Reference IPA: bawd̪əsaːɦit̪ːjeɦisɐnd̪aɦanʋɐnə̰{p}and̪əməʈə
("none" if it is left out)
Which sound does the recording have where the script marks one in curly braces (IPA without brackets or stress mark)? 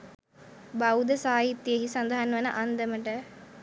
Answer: ʔ